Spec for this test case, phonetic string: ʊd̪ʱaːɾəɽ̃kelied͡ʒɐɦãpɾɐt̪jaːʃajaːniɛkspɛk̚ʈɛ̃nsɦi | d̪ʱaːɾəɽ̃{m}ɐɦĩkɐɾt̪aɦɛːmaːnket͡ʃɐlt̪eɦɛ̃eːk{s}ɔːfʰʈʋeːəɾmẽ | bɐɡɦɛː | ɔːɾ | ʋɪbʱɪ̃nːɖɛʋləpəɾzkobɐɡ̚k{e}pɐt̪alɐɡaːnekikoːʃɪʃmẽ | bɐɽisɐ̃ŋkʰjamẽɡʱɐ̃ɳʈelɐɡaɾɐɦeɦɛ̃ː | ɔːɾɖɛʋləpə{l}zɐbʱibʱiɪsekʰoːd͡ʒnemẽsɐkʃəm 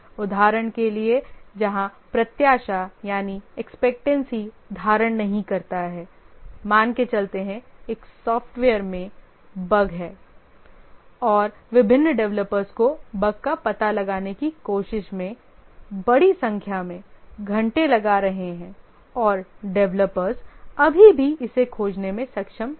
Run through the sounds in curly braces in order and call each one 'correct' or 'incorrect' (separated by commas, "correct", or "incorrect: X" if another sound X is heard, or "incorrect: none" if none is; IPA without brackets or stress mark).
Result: incorrect: n, correct, incorrect: a, incorrect: ɾ